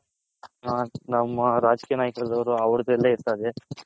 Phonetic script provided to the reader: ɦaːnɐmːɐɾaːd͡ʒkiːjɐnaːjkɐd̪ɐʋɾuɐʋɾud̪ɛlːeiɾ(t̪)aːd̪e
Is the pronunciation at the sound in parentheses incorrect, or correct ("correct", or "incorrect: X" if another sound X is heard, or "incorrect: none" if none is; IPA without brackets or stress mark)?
correct